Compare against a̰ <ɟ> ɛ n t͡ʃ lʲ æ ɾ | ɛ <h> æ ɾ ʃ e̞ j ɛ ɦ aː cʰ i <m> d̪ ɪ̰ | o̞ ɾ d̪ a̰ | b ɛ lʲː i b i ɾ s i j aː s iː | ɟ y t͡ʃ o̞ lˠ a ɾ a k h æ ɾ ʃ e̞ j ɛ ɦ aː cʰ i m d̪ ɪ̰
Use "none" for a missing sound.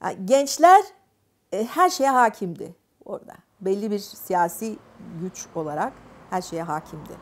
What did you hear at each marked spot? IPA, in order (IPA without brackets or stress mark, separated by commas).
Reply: ɟ, h, m